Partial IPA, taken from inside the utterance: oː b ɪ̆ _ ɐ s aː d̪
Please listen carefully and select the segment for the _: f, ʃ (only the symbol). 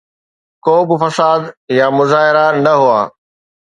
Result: f